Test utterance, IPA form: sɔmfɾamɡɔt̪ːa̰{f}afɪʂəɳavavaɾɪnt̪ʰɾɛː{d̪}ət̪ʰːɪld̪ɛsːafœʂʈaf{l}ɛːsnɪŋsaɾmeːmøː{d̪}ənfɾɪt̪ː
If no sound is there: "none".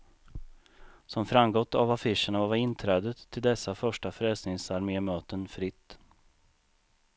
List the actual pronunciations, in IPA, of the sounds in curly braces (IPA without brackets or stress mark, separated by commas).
v, d̪, ɾ, t̪